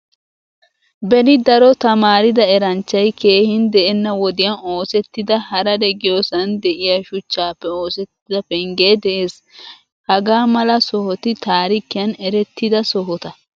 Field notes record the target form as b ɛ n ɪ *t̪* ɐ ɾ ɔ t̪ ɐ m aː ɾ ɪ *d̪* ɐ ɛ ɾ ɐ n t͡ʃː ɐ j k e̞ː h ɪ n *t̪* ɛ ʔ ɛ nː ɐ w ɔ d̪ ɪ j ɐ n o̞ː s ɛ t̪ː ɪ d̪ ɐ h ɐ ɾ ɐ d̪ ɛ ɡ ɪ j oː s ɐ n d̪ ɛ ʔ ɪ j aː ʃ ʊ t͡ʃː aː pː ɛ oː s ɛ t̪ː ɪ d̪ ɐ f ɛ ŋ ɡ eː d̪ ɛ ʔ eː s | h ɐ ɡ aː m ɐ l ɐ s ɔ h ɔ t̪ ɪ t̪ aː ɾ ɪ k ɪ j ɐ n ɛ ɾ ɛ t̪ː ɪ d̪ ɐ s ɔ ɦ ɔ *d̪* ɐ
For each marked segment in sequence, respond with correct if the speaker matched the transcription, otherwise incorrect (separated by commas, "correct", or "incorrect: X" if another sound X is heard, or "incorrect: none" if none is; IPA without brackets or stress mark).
incorrect: d̪, correct, incorrect: d̪, incorrect: t̪